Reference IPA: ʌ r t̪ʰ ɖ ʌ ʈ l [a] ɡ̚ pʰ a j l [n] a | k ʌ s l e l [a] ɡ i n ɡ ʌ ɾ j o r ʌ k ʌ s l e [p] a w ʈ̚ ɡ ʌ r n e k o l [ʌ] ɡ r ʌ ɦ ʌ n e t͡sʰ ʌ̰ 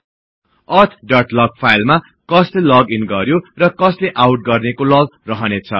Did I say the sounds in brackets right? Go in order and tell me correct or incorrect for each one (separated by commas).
incorrect, incorrect, incorrect, incorrect, correct